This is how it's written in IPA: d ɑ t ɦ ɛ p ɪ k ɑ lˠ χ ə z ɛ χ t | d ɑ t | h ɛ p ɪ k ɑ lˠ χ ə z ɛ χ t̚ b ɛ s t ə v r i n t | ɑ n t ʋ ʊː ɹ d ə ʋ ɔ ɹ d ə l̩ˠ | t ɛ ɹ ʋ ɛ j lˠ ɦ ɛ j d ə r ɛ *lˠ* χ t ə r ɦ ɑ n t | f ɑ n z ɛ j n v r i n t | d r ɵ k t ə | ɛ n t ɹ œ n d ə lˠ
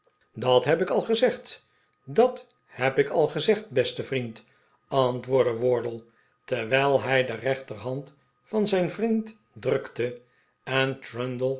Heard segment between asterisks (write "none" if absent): none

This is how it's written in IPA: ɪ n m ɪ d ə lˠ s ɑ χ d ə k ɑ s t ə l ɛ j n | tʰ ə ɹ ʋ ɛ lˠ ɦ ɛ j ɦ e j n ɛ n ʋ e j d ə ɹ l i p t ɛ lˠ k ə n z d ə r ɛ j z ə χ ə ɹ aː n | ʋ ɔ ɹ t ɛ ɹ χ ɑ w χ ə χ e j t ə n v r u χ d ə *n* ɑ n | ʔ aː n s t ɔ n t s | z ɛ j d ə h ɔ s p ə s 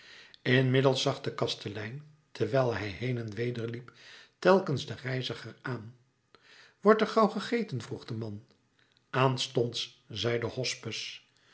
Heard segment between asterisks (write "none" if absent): m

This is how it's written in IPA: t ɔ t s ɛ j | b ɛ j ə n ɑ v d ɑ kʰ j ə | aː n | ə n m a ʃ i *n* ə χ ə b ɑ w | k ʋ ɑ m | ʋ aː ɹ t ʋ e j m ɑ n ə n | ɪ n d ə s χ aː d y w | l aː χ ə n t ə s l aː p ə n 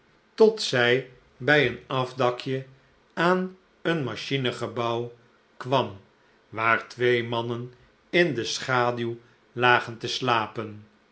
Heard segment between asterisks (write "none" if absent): n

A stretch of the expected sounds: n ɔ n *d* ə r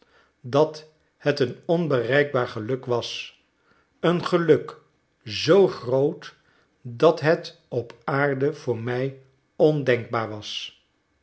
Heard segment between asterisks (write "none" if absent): b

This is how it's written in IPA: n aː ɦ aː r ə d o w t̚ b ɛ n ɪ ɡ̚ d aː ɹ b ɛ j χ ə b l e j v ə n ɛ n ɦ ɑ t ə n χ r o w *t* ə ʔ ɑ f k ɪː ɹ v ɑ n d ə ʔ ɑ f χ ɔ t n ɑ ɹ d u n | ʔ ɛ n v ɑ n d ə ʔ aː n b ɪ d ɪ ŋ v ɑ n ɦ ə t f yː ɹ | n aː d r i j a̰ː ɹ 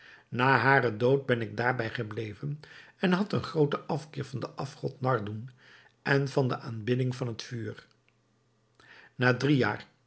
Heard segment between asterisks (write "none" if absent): t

